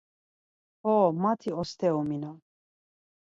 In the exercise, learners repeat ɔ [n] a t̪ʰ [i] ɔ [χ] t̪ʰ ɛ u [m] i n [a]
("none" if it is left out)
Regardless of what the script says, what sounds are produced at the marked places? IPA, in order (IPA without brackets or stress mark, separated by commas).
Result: m, i, s, m, a